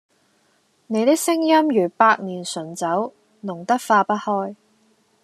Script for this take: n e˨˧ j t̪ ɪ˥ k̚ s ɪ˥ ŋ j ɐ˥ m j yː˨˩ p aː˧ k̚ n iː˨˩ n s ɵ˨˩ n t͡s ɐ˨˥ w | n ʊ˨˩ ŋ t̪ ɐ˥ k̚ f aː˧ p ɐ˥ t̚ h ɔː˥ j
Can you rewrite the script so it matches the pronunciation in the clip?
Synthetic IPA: n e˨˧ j t̪ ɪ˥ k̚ s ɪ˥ ŋ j ɐ˥ m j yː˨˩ p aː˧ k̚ n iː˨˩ n s ɵ˨˩ n t͡s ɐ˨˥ w | n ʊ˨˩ ŋ t̪ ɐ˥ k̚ f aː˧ p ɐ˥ t̚ h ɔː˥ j

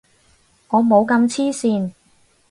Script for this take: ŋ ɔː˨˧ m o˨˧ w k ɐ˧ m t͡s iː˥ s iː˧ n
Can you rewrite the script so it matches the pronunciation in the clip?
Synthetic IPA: ŋ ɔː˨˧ m o˨˧ w k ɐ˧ m t͡sʰ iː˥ s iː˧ n

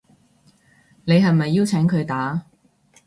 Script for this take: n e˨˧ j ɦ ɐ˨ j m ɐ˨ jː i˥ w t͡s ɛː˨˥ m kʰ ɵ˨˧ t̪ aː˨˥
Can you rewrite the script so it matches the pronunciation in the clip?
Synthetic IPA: n e˨˧ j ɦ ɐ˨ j m ɐ˨ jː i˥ w t͡sʰ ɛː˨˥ ŋ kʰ ɵ˨˧ t̪ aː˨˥

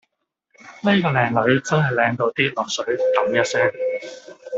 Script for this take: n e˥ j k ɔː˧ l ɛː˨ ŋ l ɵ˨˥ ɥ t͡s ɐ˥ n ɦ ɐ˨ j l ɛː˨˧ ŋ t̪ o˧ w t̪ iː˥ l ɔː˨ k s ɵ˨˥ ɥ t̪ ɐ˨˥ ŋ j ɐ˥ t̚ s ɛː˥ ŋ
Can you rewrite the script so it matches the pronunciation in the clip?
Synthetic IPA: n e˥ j k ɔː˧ l ɛː˨ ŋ l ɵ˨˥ ɥ t͡s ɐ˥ n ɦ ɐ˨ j l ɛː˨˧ ŋ t̪ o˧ w t̪ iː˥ l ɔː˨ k s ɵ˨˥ ɥ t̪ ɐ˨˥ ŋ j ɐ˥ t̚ s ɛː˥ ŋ

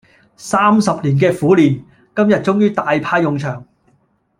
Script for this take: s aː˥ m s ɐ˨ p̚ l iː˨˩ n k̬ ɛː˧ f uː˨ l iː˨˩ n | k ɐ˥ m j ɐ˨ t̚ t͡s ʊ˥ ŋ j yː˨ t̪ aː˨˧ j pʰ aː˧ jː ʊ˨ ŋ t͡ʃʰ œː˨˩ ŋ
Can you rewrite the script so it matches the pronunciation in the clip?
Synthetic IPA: s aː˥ m s ɐ˨ p̚ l iː˨˩ n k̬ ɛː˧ f uː˨˥ l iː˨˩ n | k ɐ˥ m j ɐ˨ t̚ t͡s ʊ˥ ŋ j yː˥ t̪ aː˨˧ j pʰ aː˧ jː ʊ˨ ŋ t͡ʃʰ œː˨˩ ŋ

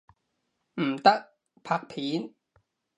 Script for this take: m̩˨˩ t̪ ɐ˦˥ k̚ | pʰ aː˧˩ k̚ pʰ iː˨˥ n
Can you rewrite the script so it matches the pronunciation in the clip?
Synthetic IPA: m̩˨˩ t̪ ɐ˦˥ k̚ | pʰ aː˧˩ k̚ pʰ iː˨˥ n

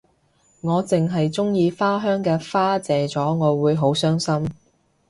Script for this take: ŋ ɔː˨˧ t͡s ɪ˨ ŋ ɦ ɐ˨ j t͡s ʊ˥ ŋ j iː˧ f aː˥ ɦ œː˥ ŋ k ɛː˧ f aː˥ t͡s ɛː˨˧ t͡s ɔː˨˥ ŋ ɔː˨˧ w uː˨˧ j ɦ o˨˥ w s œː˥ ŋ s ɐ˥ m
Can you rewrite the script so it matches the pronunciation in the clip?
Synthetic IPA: ŋ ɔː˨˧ t͡s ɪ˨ ŋ ɦ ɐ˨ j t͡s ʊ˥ ŋ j iː˧ f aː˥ ɦ œː˥ ŋ k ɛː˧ f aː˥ t͡s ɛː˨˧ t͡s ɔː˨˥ ŋ ɔː˨˧ w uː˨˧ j ɦ o˨˥ w s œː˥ ŋ s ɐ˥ m

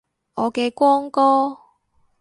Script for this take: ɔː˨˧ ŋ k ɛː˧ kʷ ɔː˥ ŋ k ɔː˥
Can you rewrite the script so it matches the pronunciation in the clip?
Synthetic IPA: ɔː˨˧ k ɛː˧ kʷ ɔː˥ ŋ k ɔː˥

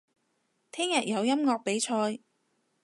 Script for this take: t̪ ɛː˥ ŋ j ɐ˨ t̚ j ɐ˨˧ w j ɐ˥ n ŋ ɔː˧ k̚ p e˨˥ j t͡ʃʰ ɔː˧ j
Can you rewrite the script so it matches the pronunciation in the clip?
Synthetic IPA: t̪ʰ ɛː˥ ŋ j ɐ˨ t̚ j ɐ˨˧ w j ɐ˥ m ŋ ɔː˧ k̚ p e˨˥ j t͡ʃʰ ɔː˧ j

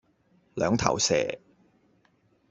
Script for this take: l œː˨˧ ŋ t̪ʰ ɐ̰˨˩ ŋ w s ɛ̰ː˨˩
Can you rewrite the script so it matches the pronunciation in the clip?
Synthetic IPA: l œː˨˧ ŋ t̪ʰ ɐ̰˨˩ w s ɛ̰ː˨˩

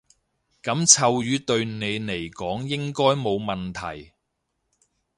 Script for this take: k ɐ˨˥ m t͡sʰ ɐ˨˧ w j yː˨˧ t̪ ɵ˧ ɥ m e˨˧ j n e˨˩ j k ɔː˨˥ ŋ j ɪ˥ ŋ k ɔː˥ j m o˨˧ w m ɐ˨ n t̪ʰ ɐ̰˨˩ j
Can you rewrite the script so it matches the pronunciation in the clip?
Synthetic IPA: k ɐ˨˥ m t͡sʰ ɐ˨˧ w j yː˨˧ t̪ ɵ˧ ɥ n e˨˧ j n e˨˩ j k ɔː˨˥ ŋ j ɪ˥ ŋ k ɔː˥ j m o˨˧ w m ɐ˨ n t̪ʰ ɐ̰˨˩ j

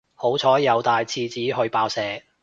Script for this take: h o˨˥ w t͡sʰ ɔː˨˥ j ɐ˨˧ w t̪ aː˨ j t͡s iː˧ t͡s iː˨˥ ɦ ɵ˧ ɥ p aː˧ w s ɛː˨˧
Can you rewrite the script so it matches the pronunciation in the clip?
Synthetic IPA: h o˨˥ w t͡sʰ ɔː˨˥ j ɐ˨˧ w t̪ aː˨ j t͡sʰ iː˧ t͡s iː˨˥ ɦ ɵ˧ ɥ p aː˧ w s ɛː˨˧

